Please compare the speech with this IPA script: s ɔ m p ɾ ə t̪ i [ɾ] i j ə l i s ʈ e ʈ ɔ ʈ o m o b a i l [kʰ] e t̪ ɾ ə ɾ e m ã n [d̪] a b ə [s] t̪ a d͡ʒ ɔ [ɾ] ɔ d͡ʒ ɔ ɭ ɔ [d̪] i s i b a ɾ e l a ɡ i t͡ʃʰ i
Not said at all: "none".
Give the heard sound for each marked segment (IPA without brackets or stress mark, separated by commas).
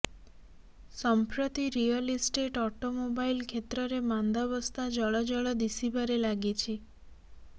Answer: ɾ, kʰ, d̪, s, ɭ, d̪